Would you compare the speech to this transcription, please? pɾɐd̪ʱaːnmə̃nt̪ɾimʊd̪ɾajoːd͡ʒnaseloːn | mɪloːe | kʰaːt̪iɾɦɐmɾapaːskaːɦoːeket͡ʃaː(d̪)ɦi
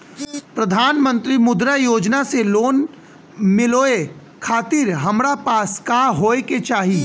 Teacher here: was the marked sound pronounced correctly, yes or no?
no